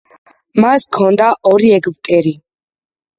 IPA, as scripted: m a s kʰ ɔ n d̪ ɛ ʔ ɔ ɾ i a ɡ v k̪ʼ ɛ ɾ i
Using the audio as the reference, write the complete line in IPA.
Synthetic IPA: m a s kʰ ɔ n d̪ a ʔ ɔ ɾ i ɛ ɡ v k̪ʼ ɛ ɾ i